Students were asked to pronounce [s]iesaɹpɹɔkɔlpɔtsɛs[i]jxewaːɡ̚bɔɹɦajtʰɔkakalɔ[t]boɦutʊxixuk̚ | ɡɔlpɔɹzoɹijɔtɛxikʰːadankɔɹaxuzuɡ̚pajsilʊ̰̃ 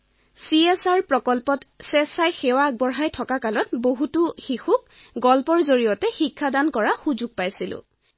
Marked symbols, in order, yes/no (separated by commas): yes, no, yes